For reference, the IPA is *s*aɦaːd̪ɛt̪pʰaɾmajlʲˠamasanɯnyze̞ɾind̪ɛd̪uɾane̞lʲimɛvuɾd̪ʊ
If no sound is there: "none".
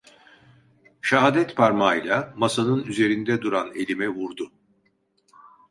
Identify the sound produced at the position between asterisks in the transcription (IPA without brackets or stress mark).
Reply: ʃ